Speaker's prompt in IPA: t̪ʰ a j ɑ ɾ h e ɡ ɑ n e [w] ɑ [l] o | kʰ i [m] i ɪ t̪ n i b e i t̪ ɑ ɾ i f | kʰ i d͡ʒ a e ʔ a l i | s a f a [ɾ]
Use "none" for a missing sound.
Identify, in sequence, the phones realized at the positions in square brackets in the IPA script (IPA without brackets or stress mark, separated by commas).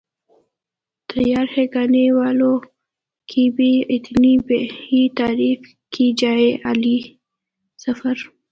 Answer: w, l, b, ɾ